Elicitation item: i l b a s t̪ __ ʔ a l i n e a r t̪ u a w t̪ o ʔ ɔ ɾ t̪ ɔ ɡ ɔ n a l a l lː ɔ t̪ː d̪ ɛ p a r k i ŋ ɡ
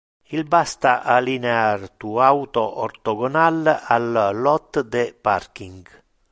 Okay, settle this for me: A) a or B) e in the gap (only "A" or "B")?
A